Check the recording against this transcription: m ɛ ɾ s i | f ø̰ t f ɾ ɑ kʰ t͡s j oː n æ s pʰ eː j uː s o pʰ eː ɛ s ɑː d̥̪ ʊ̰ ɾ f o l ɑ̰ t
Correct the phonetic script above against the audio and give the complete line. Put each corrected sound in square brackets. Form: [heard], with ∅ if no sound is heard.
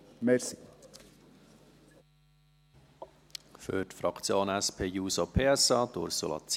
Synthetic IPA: m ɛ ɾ s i | f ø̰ t f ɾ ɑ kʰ t͡s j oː n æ s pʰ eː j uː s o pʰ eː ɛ s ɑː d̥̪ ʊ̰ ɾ [s] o l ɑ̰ [t͡s]